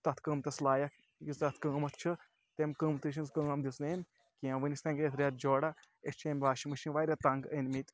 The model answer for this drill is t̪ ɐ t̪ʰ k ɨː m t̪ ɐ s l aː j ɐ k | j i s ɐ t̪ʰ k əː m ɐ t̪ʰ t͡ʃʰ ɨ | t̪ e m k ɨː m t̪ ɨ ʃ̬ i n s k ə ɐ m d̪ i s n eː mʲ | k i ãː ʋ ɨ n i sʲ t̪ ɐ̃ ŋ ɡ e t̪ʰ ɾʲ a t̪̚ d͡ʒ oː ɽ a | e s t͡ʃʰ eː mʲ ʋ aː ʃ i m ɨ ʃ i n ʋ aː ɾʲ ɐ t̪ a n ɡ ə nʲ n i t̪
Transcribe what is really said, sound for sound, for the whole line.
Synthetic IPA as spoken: t̪ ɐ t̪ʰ k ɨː m t̪ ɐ s l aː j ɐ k | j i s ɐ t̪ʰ k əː m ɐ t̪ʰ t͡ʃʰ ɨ | t̪ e m k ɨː m t̪ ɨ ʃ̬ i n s k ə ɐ m d̪ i s n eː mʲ | k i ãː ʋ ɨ n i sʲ t̪ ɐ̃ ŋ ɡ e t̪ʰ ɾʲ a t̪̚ d͡ʒ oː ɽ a | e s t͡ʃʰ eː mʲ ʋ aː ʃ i m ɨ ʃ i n ʋ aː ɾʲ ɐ t̪ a ŋ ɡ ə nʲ m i t̪